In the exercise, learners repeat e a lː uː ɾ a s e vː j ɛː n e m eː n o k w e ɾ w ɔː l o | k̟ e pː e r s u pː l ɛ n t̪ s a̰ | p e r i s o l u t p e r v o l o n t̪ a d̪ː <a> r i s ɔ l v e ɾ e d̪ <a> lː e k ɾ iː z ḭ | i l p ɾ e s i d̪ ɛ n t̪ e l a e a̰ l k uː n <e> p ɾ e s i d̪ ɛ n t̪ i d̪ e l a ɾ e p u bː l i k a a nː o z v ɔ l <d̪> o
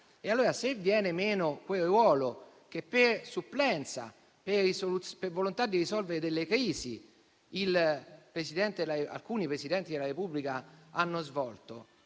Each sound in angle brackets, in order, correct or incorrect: incorrect: i, incorrect: e, incorrect: i, incorrect: t̪

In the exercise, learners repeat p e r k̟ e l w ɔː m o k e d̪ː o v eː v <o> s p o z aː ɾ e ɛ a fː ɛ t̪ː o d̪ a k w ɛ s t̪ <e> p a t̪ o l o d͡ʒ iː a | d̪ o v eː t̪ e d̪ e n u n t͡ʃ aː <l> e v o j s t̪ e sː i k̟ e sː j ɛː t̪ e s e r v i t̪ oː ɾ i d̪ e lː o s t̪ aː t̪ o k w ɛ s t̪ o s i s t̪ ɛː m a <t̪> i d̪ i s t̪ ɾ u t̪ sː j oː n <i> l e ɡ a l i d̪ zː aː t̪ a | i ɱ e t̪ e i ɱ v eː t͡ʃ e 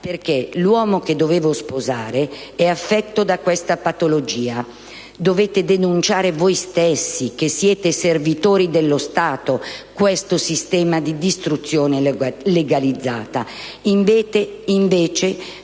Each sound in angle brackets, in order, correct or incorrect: correct, incorrect: a, incorrect: ɾ, incorrect: d̪, incorrect: e

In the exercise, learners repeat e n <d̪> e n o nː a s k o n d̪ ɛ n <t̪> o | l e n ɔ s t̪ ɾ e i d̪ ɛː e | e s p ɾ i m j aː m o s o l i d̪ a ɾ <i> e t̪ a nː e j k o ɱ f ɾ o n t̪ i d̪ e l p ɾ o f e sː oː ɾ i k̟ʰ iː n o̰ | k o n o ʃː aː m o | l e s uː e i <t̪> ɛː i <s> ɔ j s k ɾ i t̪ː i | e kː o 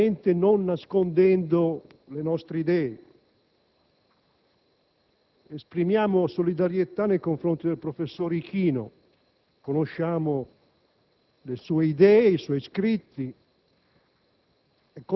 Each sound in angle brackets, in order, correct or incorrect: incorrect: t̪, incorrect: d̪, incorrect: j, incorrect: d̪, correct

